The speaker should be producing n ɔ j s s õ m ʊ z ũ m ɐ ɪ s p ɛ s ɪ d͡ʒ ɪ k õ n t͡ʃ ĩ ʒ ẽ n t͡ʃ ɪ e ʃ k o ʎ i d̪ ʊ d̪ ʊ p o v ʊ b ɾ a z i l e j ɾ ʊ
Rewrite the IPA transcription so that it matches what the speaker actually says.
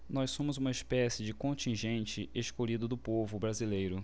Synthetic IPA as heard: n ɔ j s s õ m ʊ z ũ m ɐ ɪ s p ɛ s ɪ d͡ʒ ɪ k õ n t͡ʃ ĩ ʒ ẽ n t͡ʃ ɪ e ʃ k o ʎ i d̪ ʊ d̪ ʊ p o v ʊ b ɾ a z i l e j ɾ ʊ